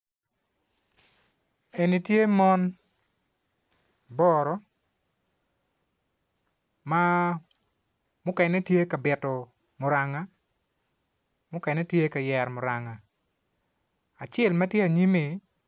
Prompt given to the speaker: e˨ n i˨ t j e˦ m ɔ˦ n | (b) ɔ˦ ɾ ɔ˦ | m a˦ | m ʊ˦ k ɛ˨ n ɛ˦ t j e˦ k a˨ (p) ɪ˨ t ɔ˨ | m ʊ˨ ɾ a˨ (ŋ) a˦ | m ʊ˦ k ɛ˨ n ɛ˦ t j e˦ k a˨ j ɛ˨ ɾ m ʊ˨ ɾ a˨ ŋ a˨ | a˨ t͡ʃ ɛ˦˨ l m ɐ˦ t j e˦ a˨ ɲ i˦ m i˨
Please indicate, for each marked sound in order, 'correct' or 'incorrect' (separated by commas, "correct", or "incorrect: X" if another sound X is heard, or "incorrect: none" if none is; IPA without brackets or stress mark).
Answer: correct, incorrect: b, correct